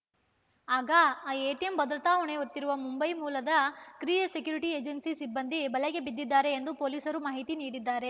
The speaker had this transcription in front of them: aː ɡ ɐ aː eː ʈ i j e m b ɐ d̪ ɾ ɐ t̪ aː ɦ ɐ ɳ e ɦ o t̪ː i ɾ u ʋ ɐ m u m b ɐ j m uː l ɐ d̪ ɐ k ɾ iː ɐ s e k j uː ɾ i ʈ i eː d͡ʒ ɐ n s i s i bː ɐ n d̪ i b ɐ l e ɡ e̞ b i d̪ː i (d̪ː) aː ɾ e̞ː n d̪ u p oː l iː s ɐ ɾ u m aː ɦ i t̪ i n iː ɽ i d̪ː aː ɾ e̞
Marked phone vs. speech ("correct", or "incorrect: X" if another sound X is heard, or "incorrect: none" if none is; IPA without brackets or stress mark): correct